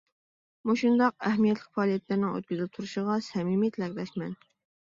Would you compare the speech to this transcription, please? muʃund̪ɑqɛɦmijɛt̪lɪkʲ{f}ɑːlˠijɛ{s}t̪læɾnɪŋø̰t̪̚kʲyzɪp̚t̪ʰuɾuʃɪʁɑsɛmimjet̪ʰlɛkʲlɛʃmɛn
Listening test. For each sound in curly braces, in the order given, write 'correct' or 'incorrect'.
correct, incorrect: none

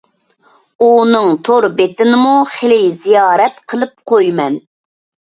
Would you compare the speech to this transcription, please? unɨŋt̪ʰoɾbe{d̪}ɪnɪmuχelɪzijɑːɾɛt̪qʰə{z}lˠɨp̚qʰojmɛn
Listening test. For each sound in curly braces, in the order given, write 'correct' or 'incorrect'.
incorrect: t̪, incorrect: none

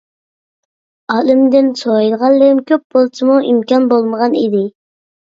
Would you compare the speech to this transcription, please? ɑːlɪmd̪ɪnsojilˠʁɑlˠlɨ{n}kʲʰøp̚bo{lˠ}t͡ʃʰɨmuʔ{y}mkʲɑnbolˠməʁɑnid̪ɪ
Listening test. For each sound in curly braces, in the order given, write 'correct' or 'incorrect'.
incorrect: m, correct, incorrect: i

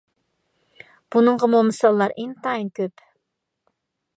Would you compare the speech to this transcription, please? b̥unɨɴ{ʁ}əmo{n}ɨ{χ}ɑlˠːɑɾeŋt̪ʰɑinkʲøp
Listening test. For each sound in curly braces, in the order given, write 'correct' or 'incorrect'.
correct, incorrect: m, incorrect: s

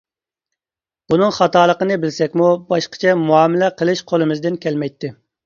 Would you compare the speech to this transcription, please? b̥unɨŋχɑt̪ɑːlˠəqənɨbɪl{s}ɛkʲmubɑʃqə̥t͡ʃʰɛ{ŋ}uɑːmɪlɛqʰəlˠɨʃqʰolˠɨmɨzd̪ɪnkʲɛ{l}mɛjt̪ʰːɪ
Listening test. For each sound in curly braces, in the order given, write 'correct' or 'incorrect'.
correct, incorrect: m, correct

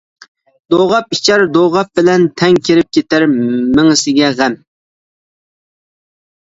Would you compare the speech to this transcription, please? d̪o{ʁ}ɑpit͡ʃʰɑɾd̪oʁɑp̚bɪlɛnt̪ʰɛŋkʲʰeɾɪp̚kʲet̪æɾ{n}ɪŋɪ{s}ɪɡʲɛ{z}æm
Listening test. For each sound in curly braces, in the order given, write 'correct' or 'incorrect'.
correct, incorrect: m, correct, incorrect: ʁ

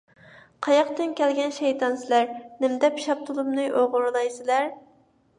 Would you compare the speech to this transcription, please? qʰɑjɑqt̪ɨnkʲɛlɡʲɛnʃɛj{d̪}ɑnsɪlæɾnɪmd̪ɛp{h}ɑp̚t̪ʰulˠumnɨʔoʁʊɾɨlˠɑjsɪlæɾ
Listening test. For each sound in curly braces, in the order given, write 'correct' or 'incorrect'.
incorrect: t̪, incorrect: ʃ

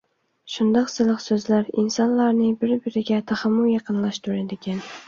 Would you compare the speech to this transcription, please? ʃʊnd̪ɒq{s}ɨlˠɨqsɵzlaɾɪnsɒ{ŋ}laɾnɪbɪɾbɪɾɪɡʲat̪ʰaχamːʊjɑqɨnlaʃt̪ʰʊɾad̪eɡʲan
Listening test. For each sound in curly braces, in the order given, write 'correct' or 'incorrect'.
correct, incorrect: n

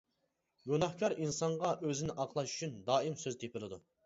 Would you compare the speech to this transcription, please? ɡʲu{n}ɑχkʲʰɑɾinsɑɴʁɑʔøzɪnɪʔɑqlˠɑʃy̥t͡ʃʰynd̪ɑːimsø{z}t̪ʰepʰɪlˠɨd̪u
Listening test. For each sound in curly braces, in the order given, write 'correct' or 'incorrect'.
correct, correct

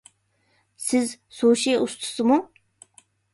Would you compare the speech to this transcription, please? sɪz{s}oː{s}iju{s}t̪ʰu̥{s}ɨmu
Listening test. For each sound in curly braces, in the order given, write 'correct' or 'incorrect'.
correct, incorrect: ʃ, correct, correct

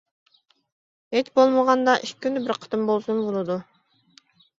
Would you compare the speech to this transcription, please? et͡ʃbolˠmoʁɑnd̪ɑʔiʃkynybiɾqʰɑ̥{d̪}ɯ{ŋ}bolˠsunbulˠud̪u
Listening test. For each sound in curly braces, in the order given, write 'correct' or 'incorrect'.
incorrect: t̪, incorrect: m

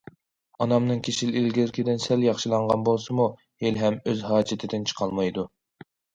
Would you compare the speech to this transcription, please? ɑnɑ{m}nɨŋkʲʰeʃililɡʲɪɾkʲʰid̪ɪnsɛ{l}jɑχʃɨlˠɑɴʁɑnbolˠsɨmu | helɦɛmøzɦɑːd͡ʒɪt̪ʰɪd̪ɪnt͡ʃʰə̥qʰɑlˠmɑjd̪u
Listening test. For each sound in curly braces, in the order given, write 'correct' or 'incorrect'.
correct, correct

